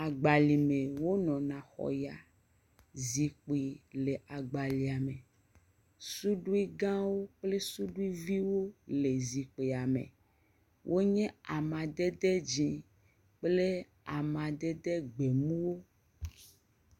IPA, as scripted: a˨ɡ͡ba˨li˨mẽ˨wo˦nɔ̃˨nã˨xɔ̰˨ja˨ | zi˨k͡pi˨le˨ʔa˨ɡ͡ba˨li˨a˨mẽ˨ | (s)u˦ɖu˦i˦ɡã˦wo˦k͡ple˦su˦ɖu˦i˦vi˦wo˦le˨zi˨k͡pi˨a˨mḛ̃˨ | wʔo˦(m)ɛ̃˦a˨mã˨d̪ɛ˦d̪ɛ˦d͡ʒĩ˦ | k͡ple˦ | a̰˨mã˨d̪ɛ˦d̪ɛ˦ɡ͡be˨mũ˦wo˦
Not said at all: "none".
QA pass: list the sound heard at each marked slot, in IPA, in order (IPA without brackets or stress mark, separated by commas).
s, ɲ